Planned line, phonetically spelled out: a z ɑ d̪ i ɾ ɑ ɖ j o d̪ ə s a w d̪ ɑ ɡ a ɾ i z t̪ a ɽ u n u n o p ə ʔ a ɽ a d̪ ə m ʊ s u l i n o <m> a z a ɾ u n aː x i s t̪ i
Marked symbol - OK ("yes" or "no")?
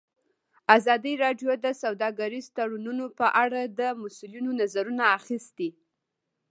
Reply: no